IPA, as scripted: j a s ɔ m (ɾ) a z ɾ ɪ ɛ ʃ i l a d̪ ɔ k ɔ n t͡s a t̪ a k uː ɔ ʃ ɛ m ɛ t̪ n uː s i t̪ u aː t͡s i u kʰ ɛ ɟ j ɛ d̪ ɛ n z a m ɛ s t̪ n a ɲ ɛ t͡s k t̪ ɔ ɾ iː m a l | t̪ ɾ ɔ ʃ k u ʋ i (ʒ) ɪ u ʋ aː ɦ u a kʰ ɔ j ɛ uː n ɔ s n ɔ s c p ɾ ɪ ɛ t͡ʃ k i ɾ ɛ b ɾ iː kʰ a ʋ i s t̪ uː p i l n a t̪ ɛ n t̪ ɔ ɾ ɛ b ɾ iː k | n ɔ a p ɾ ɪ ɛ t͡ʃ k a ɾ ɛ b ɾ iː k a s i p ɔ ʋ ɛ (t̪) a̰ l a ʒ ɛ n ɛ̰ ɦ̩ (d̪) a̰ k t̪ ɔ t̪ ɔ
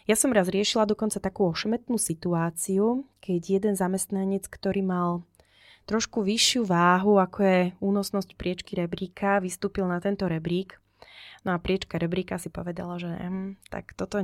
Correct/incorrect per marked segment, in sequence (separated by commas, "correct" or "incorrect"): correct, incorrect, incorrect, incorrect